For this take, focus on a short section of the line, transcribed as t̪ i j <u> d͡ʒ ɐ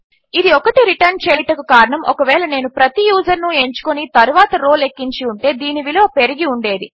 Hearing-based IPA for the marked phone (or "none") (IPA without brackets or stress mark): uː